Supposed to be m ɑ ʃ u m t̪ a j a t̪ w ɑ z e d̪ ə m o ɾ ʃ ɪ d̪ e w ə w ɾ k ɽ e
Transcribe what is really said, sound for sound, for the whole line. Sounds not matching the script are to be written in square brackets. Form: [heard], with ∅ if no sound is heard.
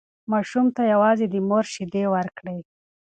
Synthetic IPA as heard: m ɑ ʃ u m t̪ a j a [∅] w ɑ z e d̪ ə m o ɾ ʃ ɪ d̪ e w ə [∅] ɾ k ɽ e